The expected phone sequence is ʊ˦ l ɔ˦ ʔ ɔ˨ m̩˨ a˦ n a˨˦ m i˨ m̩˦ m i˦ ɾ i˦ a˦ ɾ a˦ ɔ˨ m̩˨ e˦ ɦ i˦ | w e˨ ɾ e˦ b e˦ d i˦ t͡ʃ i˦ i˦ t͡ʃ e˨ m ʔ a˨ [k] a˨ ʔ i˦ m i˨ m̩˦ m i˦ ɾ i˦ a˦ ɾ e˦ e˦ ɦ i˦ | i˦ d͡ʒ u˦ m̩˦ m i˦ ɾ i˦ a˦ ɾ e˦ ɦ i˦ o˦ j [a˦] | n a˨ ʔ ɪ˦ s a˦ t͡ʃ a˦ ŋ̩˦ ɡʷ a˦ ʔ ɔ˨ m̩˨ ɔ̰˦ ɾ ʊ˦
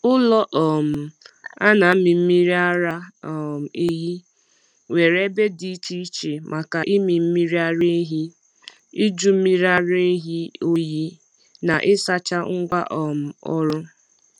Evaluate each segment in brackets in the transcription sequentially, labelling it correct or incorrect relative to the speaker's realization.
correct, incorrect: i˦

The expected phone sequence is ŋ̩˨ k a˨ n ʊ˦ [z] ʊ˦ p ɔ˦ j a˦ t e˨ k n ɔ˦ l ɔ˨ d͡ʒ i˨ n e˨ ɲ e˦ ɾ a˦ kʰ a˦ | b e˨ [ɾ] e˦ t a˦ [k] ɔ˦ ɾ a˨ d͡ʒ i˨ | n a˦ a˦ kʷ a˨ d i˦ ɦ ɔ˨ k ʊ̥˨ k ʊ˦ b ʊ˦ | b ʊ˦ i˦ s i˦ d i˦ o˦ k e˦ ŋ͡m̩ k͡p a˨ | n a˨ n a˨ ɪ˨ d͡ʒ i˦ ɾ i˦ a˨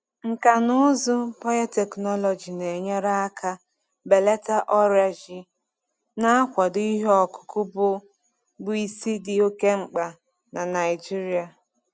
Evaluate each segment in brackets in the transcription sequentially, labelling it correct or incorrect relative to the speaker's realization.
correct, incorrect: l, incorrect: ʔ

